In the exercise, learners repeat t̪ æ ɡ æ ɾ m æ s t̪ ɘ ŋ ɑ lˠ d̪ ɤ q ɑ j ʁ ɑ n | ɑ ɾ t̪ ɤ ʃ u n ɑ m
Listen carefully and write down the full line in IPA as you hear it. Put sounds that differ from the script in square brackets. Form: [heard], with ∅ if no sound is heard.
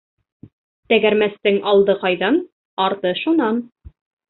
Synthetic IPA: t̪ æ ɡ æ ɾ m æ s t̪ ɘ ŋ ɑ lˠ d̪ ɤ q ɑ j [ð] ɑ n | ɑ ɾ t̪ ɤ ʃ u n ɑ [n]